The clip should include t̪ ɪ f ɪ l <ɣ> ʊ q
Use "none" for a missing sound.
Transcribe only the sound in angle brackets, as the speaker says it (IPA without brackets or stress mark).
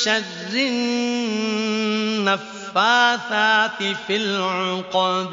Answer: ʕ